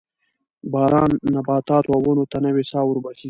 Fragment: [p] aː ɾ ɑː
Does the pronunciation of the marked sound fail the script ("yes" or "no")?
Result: yes